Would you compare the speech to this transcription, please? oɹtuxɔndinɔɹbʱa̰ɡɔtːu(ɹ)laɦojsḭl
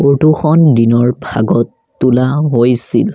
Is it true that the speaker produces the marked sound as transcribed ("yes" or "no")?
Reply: no